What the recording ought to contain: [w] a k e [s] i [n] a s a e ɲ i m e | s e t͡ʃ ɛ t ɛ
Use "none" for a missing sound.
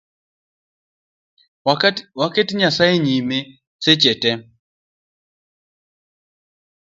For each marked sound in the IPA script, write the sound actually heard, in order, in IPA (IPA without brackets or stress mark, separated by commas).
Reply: w, t, ɲ